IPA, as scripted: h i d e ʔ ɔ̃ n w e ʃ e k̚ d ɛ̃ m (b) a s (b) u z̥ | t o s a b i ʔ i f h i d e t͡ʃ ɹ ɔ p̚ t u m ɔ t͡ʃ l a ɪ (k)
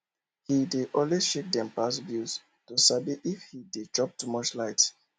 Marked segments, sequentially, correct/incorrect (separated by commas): incorrect, correct, incorrect